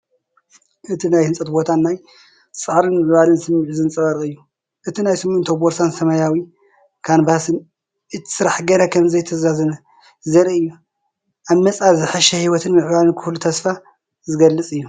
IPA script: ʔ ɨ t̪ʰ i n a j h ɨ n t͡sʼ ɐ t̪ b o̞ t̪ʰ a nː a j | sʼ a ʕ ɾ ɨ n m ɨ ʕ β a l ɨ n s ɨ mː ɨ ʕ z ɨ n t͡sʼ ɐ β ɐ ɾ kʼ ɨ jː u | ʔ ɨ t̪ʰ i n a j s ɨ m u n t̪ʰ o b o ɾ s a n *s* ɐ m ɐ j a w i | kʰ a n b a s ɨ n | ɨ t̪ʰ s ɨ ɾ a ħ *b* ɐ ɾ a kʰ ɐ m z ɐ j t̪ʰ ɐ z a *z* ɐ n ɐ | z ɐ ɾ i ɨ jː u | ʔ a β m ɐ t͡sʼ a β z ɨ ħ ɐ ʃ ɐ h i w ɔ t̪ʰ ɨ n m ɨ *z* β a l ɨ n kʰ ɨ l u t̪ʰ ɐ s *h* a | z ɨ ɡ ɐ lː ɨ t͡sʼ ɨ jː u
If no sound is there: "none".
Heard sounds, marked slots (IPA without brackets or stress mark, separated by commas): s, ɡ, z, ʕ, f